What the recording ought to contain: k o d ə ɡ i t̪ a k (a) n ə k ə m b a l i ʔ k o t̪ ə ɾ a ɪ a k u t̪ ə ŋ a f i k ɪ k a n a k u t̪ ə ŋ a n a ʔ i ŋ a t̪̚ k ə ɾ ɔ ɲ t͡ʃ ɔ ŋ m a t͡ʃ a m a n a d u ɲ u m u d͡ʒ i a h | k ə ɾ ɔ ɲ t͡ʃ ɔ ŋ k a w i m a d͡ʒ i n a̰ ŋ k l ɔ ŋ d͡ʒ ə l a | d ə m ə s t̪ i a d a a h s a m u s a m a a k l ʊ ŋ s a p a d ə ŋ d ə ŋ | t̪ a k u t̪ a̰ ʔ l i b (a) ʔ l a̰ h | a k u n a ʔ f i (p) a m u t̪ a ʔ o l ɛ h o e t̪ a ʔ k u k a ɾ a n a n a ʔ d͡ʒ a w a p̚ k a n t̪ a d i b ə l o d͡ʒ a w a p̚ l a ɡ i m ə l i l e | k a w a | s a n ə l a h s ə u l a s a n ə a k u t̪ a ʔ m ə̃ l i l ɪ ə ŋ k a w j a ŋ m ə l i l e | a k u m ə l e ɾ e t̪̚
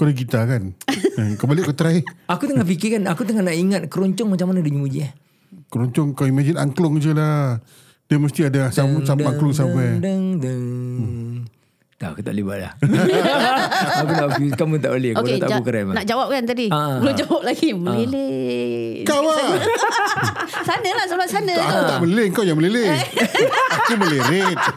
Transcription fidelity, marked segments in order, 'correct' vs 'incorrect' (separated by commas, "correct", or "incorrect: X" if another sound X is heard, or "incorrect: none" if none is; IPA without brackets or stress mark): correct, correct, incorrect: k